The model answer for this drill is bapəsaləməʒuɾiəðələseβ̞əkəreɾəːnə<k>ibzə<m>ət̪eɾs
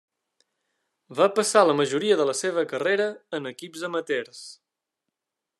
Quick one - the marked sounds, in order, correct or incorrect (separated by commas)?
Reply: correct, correct